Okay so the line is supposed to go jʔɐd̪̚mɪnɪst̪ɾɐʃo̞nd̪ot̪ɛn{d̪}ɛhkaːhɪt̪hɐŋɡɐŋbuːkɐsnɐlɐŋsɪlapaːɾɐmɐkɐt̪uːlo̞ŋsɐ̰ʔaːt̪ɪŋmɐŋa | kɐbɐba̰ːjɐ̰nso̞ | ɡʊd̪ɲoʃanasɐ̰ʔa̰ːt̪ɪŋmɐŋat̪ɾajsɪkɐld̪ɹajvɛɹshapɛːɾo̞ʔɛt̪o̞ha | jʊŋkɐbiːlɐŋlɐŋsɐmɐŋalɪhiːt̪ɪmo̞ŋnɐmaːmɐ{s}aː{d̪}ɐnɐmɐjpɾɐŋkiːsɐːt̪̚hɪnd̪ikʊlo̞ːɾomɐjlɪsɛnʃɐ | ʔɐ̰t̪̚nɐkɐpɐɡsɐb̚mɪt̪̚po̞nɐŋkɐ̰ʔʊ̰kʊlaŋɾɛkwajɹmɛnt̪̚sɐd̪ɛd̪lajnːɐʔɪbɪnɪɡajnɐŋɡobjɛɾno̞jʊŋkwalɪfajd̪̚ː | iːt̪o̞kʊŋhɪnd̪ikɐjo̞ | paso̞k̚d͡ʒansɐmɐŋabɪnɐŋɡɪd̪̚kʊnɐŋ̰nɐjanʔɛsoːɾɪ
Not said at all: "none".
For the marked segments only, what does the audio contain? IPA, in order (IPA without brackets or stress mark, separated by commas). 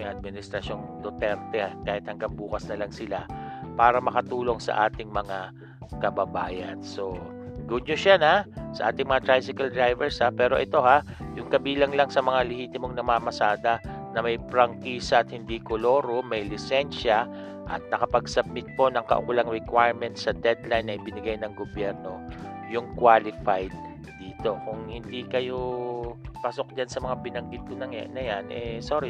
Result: t̪, s, d̪